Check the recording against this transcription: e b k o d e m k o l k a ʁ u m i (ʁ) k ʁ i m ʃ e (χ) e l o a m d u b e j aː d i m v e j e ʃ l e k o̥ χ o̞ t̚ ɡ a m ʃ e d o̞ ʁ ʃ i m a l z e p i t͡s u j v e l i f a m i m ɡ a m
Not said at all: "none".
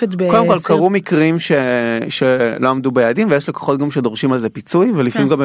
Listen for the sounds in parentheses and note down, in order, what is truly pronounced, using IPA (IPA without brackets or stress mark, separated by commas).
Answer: none, ʃ